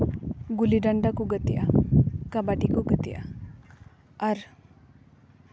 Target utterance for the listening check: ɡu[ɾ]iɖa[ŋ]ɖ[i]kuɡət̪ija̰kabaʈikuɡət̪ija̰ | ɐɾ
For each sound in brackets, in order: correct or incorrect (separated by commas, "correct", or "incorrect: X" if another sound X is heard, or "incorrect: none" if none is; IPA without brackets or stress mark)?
incorrect: l, incorrect: ɳ, incorrect: a